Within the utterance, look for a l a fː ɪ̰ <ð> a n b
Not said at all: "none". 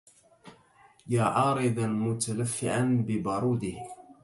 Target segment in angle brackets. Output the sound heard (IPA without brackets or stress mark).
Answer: ʕ